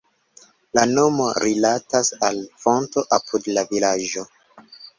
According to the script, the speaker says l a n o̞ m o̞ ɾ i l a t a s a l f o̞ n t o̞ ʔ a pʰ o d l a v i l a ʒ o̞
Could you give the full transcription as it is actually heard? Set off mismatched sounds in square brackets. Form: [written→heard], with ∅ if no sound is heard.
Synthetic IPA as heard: l a n o̞ m o̞ ɾ i l a t a s a l f o̞ n t o̞ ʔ a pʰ [o→u] d l a v i l a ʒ o̞